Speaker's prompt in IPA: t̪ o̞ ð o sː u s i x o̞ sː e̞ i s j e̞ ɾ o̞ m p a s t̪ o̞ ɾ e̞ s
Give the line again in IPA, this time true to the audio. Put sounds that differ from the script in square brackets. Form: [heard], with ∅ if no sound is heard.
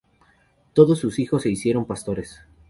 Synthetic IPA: t̪ o̞ ð o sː u s i x o̞ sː e̞ i s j e̞ ɾ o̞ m p a s t̪ o̞ ɾ e̞ s